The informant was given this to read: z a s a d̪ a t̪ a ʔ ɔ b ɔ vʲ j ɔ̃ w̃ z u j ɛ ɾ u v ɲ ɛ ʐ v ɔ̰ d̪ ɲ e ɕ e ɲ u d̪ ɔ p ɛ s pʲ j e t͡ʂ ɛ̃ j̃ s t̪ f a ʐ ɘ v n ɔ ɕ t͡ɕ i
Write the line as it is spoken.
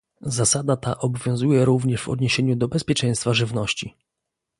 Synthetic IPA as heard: z a s a d̪ a t̪ a ʔ ɔ b ɔ vʲ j ɔ̃ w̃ z u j ɛ ɾ u v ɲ ɛ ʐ v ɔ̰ d̪ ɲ e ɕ e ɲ u d̪ ɔ b ɛ s pʲ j ɛ t͡ʂ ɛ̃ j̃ s t̪ f a ʐ ɘ v n ɔ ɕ t͡ɕ i